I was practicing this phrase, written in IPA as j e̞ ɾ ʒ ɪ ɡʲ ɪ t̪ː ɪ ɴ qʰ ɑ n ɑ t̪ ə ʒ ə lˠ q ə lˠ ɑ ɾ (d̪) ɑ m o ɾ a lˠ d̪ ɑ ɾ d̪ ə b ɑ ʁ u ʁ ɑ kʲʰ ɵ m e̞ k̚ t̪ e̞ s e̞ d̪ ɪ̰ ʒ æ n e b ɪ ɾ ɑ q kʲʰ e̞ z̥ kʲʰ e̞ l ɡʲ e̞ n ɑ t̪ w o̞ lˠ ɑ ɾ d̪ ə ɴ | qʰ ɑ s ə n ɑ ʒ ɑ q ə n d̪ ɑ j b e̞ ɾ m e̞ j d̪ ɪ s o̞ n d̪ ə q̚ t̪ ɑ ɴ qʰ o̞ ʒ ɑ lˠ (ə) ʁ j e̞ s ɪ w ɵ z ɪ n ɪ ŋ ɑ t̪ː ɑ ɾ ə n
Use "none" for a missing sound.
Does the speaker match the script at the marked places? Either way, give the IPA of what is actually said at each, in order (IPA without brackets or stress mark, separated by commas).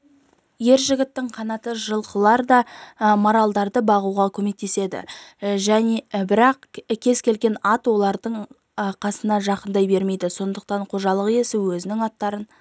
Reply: d̪, ə